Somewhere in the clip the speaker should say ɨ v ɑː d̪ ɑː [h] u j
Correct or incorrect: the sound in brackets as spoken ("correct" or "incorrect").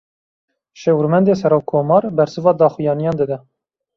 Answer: incorrect